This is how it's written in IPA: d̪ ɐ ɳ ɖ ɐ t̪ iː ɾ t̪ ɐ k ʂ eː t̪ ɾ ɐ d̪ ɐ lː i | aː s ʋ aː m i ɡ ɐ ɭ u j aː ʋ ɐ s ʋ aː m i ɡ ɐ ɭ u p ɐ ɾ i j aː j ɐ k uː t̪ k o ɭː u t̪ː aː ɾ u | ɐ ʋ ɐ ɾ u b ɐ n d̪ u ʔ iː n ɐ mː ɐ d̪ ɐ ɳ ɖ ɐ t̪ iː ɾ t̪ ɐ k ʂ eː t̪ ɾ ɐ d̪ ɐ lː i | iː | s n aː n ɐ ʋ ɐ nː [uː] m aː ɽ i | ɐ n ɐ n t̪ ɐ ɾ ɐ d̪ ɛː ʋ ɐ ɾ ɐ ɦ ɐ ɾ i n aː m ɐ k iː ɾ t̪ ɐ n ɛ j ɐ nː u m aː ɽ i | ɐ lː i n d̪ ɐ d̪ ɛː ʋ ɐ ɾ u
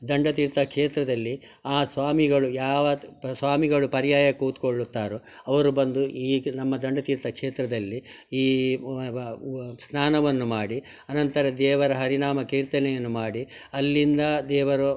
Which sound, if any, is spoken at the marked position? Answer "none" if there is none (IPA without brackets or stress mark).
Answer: u